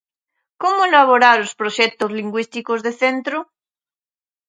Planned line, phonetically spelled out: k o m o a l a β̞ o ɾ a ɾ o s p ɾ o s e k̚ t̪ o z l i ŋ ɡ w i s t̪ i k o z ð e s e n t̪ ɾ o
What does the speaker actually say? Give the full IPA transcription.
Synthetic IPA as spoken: k o m o e l a β̞ o ɾ a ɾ o s p ɾ o ʃ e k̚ t̪ o z l i ŋ ɡ w i s t̪ i k o z ð e θ e n t̪ ɾ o